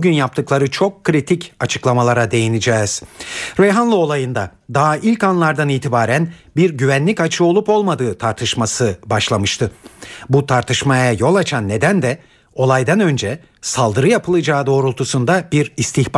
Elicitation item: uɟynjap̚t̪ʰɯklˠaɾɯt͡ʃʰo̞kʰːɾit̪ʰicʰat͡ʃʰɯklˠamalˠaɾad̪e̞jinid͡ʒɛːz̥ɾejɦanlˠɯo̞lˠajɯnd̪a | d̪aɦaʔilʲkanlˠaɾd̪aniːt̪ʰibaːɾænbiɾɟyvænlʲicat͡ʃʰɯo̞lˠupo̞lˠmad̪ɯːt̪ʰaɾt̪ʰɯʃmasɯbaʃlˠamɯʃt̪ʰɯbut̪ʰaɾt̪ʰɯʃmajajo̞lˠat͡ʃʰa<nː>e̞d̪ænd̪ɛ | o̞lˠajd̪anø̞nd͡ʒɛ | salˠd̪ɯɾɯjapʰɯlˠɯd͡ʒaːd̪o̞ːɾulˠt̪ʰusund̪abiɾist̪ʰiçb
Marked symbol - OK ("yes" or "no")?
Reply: yes